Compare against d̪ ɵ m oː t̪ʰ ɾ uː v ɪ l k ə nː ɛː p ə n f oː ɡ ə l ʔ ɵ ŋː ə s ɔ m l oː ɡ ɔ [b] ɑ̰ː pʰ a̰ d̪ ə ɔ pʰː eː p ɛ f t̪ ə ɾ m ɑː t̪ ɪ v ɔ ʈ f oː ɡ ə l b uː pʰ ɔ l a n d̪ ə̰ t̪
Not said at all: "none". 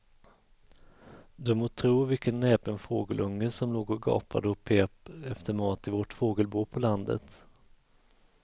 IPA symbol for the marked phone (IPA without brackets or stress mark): ɡ